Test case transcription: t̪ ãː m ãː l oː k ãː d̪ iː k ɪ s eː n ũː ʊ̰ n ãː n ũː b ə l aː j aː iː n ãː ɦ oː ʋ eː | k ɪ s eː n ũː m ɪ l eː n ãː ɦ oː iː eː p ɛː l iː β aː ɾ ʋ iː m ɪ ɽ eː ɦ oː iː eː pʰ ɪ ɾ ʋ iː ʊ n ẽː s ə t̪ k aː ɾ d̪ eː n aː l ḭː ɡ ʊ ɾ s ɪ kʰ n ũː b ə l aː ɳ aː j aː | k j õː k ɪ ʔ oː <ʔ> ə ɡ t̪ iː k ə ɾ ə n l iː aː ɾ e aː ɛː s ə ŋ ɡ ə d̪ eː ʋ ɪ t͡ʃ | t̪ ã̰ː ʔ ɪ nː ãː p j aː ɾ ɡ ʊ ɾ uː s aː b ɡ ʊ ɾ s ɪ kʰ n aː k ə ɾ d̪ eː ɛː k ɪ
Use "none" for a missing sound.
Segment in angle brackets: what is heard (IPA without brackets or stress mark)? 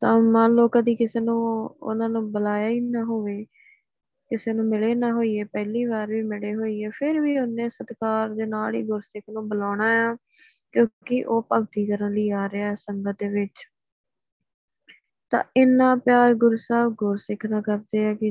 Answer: p